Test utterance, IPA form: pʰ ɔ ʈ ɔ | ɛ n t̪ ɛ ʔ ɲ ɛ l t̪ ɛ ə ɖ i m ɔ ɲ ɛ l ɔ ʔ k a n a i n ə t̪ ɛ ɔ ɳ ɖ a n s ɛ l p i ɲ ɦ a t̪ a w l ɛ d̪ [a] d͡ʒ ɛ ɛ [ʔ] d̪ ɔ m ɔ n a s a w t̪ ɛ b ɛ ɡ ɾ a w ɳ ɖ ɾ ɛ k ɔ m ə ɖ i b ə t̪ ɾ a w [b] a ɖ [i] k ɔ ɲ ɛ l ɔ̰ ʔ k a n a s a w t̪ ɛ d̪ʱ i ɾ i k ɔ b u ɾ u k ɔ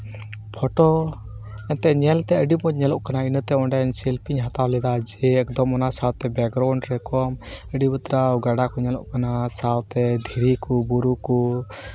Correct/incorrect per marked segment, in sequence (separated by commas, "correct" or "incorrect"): correct, incorrect, incorrect, incorrect